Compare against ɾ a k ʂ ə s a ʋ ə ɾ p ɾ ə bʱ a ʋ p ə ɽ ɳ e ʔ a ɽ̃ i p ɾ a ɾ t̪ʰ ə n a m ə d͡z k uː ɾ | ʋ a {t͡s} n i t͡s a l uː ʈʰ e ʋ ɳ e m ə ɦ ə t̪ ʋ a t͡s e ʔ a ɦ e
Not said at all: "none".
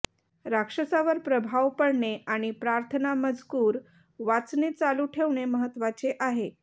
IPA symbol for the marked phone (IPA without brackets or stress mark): t͡s